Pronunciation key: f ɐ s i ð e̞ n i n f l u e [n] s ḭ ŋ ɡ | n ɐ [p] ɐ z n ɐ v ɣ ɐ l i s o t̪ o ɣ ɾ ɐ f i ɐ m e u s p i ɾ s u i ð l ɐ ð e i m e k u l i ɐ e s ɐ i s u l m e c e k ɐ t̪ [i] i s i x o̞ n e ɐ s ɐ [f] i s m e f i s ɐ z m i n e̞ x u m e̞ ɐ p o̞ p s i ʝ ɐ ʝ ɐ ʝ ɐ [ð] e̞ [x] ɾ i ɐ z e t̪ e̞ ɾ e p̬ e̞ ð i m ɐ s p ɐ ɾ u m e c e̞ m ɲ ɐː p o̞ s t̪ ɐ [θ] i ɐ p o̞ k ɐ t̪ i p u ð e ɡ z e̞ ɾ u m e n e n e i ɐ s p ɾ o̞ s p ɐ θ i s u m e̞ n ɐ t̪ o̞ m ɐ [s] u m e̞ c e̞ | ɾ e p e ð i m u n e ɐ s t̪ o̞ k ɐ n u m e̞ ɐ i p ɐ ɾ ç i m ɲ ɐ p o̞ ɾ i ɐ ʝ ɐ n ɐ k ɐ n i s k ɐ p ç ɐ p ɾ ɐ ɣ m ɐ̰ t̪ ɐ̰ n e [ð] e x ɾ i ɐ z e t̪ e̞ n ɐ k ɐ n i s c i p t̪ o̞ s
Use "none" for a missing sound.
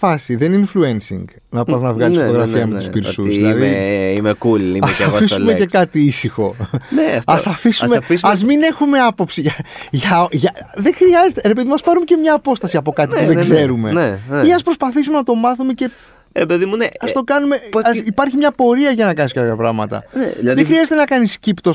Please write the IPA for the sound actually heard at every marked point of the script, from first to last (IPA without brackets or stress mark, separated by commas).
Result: n, p, i, f, ð, x, s, θ, ð